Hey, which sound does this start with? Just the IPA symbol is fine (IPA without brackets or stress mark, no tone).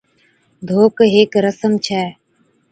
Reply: d̪ʱ